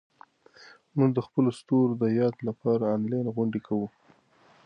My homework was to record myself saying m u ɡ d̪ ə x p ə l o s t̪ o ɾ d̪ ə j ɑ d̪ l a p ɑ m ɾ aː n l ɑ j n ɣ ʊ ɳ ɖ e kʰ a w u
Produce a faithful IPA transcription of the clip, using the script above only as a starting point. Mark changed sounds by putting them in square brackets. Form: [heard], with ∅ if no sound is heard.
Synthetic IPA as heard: m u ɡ d̪ ə x p ə l o s t̪ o ɾ d̪ ə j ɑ d̪ l a p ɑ [∅] ɾ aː n l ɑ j n ɣ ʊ ɳ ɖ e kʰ a w u